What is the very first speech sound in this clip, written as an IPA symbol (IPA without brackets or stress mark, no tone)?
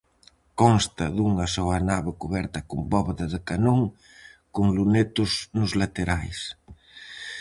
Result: k